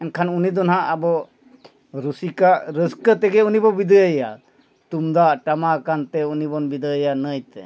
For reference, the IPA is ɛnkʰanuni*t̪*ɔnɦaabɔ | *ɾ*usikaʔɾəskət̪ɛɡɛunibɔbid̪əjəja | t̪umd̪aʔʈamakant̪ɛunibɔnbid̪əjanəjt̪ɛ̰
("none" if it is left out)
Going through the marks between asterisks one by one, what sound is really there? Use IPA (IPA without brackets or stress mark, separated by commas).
d̪, ɾ